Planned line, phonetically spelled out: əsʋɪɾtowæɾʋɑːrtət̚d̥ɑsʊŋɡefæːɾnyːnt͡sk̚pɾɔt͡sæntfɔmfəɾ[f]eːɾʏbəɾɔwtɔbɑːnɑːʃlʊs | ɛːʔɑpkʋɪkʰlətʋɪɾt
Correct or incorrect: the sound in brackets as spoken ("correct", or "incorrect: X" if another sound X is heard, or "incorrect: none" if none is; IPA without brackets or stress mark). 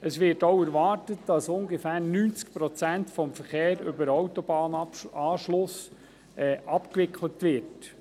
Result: incorrect: χ